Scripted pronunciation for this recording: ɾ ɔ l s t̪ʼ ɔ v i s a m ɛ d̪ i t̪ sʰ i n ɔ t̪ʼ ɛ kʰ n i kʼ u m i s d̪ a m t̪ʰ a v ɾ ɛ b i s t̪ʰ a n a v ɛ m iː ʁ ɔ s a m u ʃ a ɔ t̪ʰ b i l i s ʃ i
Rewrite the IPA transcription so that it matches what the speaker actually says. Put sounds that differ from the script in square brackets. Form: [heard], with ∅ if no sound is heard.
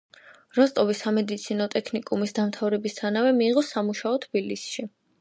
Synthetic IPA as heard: ɾ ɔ [∅] s t̪ʼ ɔ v i s a m ɛ d̪ i t̪ sʰ i n ɔ t̪ʼ ɛ kʰ n i kʼ u m i s d̪ a m t̪ʰ a v ɾ ɛ b i s t̪ʰ a n a v ɛ m iː ʁ ɔ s a m u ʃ a ɔ t̪ʰ b i l i s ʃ i